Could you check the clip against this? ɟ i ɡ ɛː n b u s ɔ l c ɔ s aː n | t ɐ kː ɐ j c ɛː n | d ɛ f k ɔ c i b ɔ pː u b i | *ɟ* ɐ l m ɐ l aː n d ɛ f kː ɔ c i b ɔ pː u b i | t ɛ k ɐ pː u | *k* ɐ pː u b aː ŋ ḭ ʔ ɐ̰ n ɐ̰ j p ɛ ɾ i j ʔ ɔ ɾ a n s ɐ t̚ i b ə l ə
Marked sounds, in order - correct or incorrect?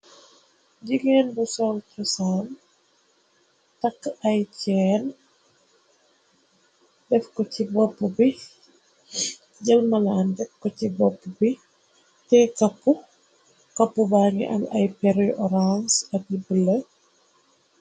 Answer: correct, correct

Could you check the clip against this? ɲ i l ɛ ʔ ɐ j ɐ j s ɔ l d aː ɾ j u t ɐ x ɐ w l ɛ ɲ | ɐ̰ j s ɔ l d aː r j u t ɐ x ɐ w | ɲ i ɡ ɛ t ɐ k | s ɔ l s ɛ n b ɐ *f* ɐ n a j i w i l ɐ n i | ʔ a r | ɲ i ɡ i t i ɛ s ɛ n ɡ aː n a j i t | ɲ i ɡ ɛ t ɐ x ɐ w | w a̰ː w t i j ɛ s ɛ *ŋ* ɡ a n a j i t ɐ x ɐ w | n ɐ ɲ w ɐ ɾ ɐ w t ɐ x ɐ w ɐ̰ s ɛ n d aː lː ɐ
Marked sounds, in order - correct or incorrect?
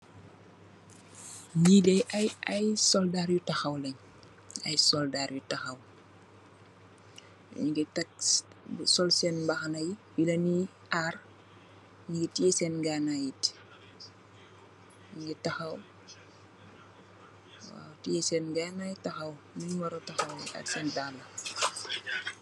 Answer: incorrect, incorrect

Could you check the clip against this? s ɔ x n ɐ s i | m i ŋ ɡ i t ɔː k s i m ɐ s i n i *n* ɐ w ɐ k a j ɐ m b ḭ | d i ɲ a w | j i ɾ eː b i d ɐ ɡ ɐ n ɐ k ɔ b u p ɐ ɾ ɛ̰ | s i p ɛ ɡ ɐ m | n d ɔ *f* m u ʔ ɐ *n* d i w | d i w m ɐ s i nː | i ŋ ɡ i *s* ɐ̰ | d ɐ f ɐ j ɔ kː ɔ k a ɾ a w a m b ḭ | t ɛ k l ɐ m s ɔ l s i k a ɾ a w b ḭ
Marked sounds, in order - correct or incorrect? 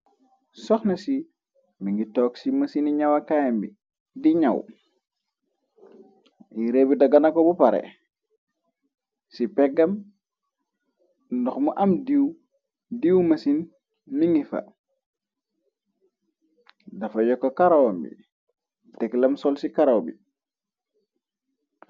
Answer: incorrect, incorrect, incorrect, incorrect

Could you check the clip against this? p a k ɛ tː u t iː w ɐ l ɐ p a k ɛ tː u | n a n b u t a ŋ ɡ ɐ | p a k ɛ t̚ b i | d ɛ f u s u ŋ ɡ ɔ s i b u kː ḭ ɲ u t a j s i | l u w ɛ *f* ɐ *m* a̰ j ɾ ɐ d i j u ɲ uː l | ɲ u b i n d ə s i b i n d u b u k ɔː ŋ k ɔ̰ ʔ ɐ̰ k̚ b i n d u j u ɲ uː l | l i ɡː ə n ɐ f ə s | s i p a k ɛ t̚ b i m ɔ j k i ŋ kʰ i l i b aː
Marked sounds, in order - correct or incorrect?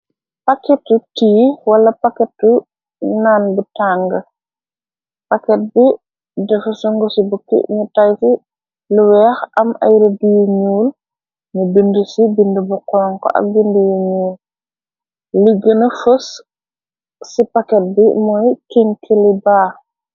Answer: incorrect, correct

